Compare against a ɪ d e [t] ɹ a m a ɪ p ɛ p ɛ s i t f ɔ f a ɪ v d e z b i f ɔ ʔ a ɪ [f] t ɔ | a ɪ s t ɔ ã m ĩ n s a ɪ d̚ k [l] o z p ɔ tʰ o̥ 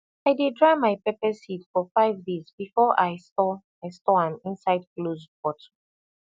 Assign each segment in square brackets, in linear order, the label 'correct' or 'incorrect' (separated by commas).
incorrect, incorrect, correct